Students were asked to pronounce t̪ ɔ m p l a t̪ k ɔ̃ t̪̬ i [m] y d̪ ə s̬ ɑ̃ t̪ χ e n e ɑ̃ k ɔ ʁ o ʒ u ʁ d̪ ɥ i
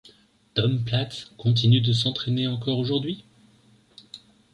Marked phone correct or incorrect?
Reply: incorrect